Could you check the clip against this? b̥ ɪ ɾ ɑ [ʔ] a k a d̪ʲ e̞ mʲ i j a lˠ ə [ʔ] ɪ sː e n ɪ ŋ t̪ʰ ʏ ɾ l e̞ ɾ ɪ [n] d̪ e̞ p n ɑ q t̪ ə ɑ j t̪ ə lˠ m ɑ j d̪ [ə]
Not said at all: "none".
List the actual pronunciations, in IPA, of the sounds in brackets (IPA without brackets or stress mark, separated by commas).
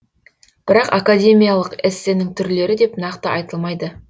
q, q, none, ə